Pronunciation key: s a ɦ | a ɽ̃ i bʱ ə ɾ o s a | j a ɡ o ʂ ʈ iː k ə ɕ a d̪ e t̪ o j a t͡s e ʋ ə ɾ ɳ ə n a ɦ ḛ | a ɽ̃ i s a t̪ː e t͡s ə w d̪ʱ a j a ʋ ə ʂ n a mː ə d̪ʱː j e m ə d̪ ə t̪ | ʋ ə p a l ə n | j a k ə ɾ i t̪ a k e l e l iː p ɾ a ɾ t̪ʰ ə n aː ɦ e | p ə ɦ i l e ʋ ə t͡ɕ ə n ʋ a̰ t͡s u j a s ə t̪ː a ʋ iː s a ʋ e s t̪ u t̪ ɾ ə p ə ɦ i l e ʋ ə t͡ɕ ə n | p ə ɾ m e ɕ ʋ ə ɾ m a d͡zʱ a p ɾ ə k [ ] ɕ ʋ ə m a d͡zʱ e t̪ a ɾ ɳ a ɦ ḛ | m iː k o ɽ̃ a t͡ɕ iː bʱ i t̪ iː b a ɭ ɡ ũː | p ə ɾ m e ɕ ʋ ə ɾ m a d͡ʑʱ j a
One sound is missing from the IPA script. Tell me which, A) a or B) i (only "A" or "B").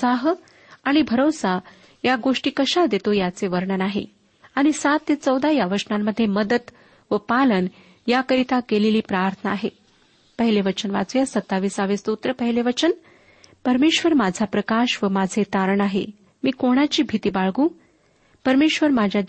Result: A